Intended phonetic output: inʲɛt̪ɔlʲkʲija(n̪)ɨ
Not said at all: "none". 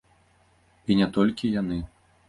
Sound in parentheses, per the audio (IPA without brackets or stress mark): n̪